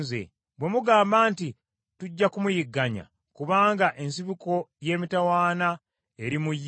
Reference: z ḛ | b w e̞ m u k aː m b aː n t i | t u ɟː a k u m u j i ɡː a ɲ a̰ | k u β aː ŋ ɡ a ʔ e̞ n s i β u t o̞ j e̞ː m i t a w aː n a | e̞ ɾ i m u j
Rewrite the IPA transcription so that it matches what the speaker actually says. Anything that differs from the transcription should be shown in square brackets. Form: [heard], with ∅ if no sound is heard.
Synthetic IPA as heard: z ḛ | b w e̞ m u [ɡ] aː m b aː n t i | t u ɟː a k u m u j i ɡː a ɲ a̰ | k u β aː ŋ ɡ a ʔ e̞ n s i β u [k] o̞ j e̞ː m i t a w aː n a | e̞ ɾ i m u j